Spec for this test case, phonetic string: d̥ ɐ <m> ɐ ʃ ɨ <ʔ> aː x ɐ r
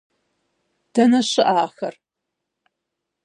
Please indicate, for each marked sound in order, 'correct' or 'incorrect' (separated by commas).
incorrect, correct